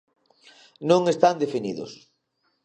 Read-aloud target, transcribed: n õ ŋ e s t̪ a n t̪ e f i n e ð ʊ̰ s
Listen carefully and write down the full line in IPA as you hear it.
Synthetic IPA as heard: n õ ŋ e s t̪ a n d̪ e f i n i ð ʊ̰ s